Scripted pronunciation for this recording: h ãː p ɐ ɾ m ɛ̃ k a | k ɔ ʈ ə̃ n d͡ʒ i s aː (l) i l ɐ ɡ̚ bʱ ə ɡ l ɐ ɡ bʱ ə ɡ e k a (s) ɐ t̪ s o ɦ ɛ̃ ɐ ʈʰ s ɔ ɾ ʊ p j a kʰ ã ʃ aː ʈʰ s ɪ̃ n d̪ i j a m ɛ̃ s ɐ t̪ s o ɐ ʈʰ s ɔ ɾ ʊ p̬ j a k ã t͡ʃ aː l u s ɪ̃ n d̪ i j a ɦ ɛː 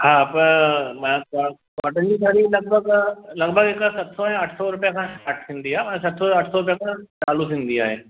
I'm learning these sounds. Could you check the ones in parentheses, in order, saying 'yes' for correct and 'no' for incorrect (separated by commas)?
no, yes